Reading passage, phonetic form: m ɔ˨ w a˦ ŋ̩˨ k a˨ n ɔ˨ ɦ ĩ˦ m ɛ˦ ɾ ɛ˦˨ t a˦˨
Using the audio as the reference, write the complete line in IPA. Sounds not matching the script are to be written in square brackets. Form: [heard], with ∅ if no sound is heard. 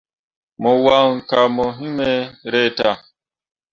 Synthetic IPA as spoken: m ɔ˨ w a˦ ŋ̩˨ k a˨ [m] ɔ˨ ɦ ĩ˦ m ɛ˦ ɾ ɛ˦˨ t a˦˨